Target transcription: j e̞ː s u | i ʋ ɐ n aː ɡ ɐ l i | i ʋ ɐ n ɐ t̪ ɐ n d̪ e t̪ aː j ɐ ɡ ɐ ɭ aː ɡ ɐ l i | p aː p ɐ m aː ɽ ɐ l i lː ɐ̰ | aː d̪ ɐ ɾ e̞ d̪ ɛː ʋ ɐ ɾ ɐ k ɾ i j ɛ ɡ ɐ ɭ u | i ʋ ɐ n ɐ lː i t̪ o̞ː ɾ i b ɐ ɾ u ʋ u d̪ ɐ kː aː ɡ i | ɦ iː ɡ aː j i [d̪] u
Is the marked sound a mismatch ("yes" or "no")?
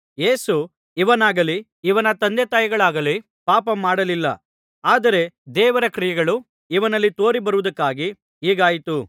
yes